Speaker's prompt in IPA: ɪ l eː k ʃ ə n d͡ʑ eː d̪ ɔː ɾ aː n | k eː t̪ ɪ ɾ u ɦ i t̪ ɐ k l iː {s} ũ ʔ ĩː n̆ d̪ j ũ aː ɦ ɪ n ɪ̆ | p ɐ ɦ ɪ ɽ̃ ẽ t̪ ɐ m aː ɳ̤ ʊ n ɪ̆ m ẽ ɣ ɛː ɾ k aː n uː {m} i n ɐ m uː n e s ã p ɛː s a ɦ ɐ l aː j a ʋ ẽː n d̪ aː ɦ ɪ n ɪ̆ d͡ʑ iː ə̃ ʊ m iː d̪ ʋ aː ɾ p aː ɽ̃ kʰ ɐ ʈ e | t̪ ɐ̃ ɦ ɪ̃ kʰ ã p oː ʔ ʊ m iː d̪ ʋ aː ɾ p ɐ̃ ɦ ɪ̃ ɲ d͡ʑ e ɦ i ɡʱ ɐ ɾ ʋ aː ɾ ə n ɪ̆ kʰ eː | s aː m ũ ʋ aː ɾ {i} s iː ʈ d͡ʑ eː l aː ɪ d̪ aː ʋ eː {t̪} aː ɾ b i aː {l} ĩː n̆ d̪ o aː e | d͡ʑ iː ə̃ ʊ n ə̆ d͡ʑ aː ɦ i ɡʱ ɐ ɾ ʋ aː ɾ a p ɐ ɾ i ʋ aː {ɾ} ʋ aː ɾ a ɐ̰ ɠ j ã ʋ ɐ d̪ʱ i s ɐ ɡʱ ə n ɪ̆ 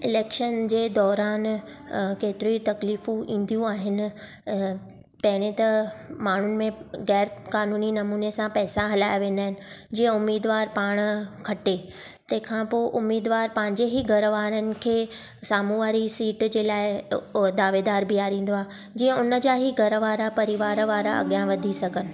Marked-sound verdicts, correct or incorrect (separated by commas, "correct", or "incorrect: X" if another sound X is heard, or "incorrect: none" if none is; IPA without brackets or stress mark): incorrect: f, incorrect: n, correct, incorrect: d̪, incorrect: ɾ, correct